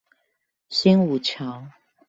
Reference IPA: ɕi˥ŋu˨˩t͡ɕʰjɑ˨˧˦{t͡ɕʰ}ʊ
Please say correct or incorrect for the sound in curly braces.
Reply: incorrect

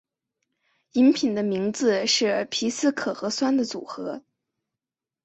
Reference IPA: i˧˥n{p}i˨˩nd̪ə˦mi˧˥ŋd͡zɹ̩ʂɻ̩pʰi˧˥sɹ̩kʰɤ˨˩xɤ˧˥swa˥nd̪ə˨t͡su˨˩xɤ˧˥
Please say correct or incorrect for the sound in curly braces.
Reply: incorrect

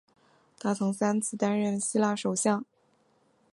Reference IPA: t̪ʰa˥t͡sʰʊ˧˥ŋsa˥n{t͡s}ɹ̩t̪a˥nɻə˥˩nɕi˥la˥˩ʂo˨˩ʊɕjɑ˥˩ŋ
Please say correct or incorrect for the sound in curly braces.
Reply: incorrect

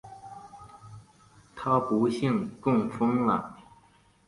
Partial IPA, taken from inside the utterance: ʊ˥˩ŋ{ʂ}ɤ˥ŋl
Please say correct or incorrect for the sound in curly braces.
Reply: incorrect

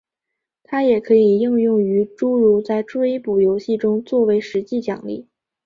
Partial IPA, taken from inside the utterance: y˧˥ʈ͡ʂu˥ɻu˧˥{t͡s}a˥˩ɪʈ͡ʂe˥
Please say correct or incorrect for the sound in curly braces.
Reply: correct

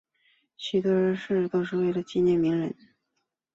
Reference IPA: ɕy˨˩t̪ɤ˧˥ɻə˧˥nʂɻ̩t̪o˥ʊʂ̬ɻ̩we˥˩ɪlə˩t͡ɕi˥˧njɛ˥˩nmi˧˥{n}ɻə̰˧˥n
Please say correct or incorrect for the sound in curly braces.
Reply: incorrect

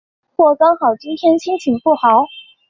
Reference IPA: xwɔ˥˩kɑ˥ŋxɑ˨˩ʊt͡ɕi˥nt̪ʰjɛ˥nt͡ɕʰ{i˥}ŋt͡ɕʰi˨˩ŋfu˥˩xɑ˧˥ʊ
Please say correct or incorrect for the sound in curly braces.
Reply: correct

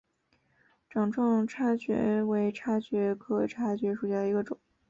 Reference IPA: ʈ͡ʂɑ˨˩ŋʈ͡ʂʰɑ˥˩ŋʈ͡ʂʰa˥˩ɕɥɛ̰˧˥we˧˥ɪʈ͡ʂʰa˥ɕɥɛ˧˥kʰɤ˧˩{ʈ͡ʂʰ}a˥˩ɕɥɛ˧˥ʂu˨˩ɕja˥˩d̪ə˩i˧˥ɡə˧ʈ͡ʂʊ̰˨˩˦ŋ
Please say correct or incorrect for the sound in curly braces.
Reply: correct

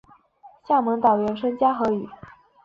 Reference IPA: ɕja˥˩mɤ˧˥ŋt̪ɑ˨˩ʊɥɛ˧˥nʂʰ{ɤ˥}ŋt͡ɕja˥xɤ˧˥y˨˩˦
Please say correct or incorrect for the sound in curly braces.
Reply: correct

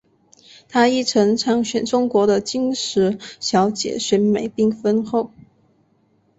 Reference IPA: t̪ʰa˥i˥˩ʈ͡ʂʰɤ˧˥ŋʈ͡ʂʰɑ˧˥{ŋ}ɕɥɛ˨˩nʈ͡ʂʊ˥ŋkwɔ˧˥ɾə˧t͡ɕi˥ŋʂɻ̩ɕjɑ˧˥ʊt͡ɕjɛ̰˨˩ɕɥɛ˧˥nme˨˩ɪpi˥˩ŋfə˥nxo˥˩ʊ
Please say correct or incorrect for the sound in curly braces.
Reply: correct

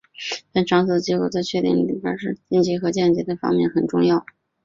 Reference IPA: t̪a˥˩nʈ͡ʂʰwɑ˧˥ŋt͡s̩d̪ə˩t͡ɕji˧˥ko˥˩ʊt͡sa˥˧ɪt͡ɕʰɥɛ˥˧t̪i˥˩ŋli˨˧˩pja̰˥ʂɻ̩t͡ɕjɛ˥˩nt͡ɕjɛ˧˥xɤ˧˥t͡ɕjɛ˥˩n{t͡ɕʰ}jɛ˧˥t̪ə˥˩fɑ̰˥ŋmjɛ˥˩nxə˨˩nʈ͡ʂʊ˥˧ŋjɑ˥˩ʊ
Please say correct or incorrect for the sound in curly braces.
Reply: incorrect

